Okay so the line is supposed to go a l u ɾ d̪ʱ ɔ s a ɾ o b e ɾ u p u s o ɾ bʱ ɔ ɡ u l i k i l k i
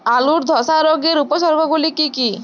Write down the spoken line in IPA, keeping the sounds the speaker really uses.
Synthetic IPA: a l u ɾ d̪ʱ ɔ s a ɾ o ɡ e ɾ u p ɔ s ɔ ɾ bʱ ɔ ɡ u l i k i k i